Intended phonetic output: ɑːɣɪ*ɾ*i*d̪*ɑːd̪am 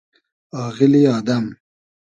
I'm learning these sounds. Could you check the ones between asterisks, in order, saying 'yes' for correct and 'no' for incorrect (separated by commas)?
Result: no, no